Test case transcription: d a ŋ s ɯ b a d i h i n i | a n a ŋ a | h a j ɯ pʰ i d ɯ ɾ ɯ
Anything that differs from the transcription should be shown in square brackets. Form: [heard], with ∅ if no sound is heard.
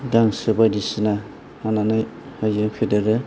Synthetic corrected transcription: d a ŋ s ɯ b a d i [s] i n [a] | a n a [n] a | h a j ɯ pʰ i d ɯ ɾ ɯ

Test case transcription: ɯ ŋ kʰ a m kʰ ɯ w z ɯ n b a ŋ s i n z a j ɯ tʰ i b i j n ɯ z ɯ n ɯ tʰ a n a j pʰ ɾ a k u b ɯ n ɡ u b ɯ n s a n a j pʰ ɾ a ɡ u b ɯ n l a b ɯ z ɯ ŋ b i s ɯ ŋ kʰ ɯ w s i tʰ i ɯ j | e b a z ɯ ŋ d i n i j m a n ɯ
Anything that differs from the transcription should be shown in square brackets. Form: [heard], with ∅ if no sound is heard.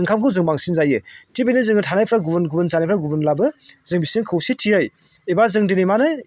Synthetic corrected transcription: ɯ ŋ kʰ a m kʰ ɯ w z ɯ [ŋ] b a ŋ s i n z a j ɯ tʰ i b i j n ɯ z ɯ [ŋ] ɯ tʰ a n a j pʰ ɾ a [ɡ] u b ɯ n ɡ u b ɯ n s a n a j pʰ ɾ a ɡ u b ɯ n l a b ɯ z ɯ ŋ b i s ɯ ŋ kʰ ɯ w s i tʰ i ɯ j | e b a z ɯ ŋ d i n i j m a n ɯ

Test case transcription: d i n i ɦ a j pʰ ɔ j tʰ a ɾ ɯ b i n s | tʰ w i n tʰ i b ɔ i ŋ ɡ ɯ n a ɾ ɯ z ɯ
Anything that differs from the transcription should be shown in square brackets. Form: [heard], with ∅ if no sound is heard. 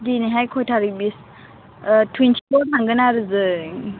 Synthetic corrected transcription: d i n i ɦ a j [kʰ] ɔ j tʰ a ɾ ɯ b i [∅] s | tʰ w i n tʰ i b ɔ [a] ŋ ɡ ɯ n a ɾ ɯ z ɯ

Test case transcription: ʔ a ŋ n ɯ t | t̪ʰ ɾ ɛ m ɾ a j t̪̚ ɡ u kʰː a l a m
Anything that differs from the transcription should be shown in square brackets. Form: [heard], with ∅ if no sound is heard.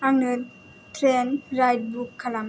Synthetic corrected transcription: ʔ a ŋ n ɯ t | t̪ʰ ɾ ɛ [n] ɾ a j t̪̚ [b] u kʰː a l a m

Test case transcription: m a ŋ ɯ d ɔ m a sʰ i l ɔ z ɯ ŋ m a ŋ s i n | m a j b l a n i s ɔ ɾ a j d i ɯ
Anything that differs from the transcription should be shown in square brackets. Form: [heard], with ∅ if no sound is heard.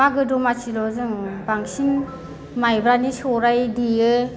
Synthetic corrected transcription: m a [ɡ] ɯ d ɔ m a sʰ i l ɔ z ɯ ŋ [b] a ŋ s i n | m a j b [ɾ] a n i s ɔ ɾ a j d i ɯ

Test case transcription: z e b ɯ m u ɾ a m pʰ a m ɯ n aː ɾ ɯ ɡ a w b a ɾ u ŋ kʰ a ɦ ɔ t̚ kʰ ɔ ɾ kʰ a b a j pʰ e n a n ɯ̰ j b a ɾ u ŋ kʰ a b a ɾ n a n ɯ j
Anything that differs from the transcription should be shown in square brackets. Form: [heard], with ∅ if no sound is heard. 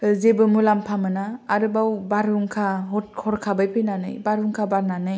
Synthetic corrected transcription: z e b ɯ m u [l] a m pʰ a m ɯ n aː ɾ ɯ [b] a w b a ɾ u ŋ kʰ a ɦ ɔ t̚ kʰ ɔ ɾ kʰ a b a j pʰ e n a n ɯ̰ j b a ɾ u ŋ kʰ a b a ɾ n a n ɯ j

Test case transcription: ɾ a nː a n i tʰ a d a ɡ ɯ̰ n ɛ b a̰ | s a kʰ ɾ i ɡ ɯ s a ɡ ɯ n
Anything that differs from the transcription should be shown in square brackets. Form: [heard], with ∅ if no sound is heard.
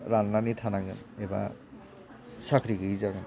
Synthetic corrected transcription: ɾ a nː a n i tʰ a [n] a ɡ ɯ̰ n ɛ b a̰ | s a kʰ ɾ i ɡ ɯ [z] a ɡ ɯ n

